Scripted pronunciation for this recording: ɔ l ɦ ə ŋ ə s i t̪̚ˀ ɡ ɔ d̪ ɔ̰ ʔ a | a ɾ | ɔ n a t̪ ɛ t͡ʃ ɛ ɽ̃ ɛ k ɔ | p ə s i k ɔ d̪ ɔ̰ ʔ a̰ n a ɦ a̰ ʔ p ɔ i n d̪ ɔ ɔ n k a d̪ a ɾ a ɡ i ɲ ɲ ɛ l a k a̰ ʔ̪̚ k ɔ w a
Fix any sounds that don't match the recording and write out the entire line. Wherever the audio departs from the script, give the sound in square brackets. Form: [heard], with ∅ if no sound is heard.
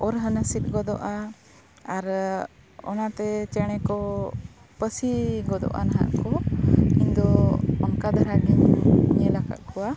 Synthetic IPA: ɔ [ɾ] ɦ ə [n] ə s i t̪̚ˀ ɡ ɔ d̪ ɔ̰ ʔ a | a ɾ | ɔ n a t̪ ɛ t͡ʃ ɛ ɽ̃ ɛ k ɔ | p ə s i [ɡ] ɔ d̪ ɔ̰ ʔ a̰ n a ɦ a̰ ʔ [k] ɔ i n d̪ ɔ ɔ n k a d̪ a ɾ a ɡ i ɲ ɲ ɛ l a k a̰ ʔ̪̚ k ɔ w a